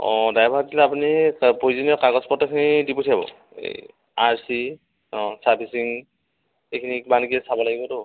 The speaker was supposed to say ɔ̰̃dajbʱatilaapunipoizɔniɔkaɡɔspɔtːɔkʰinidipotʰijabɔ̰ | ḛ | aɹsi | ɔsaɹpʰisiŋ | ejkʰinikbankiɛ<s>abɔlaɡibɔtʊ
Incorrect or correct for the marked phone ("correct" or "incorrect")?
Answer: correct